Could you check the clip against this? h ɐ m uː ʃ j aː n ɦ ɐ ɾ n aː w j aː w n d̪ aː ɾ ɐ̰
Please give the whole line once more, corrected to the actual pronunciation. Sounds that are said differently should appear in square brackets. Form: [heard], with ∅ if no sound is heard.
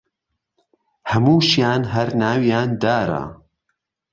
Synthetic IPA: h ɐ m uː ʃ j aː n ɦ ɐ ɾ n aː w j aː [∅] n d̪ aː ɾ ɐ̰